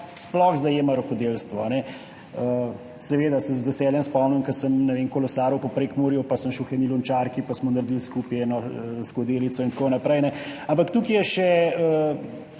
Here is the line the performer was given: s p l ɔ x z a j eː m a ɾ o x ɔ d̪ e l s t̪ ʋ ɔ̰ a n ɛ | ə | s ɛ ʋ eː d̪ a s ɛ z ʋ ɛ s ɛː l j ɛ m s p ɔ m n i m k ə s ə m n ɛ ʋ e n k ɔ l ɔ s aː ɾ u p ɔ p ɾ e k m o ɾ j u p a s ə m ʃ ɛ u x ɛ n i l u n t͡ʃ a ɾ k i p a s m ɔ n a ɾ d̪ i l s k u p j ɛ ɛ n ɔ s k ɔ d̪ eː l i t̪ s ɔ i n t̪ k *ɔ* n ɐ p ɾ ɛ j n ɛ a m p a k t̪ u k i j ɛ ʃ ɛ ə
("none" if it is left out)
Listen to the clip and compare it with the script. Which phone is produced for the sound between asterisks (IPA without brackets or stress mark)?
o